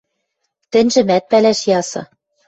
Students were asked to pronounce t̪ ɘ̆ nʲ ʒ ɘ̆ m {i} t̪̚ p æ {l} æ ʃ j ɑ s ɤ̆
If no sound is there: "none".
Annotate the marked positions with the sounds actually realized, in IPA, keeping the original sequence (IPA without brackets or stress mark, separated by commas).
æ, l